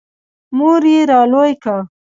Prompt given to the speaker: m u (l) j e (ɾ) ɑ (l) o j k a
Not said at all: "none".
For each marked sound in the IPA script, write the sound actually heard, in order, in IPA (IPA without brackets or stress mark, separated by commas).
ɾ, ɾ, l